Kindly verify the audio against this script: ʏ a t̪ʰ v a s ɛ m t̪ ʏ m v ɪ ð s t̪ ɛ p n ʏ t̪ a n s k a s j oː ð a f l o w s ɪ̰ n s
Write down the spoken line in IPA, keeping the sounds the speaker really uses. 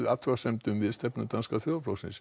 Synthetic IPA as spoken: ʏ a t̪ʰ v a s ɛ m t̪ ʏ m v ɪ ð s t̪ ɛ p n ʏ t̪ a n s k a θ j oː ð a f l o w s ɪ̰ n s